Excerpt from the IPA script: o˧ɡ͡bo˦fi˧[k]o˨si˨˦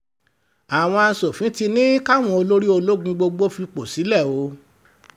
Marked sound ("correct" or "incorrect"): incorrect